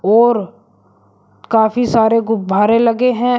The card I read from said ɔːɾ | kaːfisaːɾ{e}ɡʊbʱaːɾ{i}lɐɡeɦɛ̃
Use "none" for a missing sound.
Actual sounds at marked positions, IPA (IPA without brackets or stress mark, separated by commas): e, e